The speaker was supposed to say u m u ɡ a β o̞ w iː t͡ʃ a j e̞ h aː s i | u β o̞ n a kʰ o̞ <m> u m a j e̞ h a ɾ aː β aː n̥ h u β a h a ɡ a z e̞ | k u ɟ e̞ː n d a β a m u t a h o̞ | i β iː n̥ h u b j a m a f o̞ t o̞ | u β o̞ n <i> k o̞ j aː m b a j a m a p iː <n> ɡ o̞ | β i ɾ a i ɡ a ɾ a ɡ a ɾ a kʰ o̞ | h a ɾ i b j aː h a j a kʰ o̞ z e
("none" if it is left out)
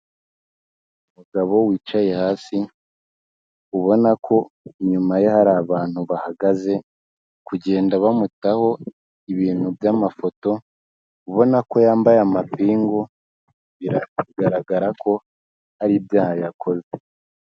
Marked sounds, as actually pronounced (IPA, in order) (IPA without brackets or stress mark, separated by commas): ɲ, a, ŋ